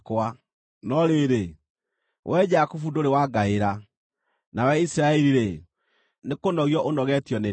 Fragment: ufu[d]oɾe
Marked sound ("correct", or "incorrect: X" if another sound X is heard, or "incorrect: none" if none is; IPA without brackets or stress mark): correct